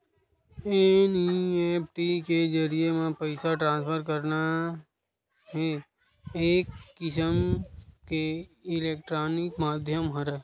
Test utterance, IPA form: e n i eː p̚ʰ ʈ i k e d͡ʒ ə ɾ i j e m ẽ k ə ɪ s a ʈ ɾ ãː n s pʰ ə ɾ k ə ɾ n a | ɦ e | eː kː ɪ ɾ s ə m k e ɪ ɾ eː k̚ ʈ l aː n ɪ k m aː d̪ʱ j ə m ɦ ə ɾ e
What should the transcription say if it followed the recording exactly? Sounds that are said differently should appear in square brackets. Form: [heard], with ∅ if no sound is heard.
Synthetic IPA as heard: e n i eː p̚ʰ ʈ i k e d͡ʒ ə ɾ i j e m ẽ [p] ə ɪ s a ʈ ɾ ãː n s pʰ ə ɾ k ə ɾ n a | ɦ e | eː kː ɪ [∅] s ə m k e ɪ [l] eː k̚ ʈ [ɾ] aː n ɪ k m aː d̪ʱ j ə m ɦ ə ɾ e